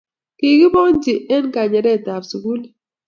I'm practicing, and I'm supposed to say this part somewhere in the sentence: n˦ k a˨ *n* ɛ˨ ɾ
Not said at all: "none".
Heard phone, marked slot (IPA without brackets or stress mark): ɲ